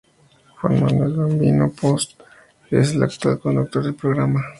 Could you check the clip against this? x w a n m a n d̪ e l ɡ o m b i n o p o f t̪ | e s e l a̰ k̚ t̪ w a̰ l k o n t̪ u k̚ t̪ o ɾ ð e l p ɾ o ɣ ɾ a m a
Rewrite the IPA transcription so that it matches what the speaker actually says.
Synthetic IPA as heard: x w a n m a n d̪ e l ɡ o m b i n o p o s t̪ | e s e l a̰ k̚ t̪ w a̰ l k o n d̪ u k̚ t̪ o ɾ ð e l p ɾ o ɣ ɾ a m a